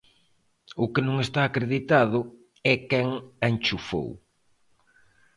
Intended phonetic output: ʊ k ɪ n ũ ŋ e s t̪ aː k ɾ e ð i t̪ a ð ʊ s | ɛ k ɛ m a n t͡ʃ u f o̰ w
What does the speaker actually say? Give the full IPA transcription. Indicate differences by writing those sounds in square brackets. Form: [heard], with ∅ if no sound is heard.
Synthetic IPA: ʊ k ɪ n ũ ŋ e s t̪ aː k ɾ e ð i t̪ a ð ʊ [∅] | ɛ k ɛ [ŋ] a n t͡ʃ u f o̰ w